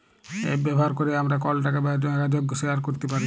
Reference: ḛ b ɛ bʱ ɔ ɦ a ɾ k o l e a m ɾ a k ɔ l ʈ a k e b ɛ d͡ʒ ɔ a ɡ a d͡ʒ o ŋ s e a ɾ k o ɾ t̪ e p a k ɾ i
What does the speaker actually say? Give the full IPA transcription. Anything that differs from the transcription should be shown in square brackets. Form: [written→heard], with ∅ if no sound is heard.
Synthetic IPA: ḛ b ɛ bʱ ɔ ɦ a ɾ k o [l→ɾ] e a m ɾ a k ɔ l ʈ a k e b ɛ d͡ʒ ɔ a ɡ a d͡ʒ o [ŋ→ɡ] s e a ɾ k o ɾ t̪ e p a [k→∅] ɾ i